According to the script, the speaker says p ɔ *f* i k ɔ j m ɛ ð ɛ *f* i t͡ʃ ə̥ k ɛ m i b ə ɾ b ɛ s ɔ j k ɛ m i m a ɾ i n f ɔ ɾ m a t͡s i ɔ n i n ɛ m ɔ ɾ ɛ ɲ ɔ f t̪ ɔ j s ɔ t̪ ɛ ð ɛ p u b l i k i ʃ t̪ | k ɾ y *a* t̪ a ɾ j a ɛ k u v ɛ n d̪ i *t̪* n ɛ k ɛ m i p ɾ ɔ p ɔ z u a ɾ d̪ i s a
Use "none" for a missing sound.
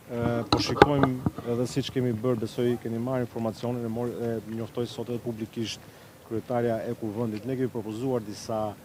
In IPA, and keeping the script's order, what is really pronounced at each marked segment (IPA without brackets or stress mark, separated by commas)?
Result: ʃ, s, ɛ, t̪